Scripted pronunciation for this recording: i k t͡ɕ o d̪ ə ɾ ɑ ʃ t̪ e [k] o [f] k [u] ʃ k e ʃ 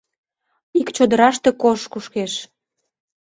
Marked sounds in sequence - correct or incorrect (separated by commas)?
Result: correct, incorrect, correct